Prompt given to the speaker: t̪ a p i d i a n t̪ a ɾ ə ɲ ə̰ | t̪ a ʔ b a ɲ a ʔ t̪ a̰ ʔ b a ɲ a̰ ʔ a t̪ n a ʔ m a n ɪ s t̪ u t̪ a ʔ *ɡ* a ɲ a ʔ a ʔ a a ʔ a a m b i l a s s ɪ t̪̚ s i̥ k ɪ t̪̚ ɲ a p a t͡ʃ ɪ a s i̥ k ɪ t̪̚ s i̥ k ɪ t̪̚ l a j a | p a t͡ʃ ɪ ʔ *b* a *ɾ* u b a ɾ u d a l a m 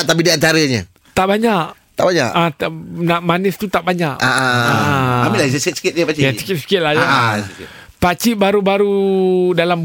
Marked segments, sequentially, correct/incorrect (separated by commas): incorrect, correct, correct